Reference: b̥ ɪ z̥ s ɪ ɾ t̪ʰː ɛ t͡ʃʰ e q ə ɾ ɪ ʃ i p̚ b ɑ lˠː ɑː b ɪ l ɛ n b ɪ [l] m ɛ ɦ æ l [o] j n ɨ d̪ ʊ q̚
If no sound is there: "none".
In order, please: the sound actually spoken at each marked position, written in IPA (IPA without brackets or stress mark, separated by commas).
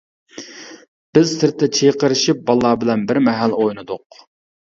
ɾ, o